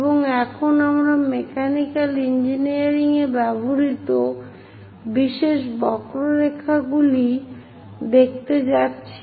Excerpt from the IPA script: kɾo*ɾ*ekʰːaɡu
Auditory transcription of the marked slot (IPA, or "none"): ɾ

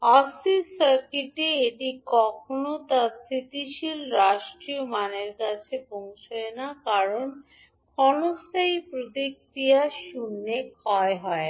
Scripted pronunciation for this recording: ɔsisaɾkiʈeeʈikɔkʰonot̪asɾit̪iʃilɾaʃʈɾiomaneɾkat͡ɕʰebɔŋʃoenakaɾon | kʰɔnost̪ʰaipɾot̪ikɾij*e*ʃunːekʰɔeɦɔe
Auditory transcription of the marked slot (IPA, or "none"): a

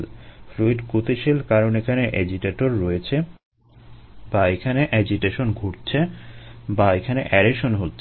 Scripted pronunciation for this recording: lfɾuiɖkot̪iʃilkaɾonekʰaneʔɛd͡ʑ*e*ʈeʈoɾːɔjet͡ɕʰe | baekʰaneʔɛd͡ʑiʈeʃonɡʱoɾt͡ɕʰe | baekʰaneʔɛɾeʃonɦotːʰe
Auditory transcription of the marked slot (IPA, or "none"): i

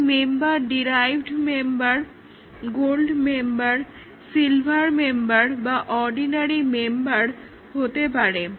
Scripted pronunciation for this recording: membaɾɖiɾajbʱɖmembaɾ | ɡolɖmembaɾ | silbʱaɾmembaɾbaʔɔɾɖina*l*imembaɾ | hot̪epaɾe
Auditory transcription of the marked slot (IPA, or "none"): ɾ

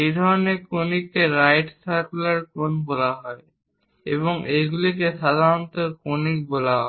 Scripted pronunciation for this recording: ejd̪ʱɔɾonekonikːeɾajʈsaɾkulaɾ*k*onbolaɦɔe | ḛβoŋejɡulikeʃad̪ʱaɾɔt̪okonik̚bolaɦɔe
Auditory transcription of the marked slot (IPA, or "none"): k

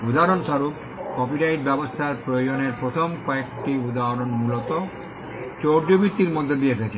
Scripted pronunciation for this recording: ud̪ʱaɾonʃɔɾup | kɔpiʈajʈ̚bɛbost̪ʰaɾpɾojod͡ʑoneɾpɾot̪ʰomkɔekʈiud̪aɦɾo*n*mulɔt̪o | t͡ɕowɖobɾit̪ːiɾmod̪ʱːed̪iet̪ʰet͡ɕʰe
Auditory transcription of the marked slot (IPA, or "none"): n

